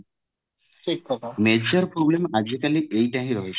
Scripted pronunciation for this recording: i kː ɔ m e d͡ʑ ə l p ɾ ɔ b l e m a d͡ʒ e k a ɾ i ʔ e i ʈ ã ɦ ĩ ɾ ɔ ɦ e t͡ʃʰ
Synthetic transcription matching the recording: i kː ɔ m e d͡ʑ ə ɾ p ɾ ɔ b l e m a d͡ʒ i k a l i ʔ e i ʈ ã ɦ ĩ ɾ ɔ ɦ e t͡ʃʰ